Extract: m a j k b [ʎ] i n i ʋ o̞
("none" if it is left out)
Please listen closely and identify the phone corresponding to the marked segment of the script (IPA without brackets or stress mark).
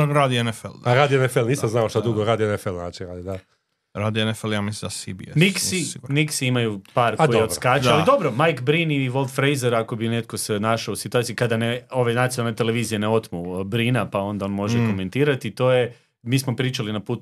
ɾ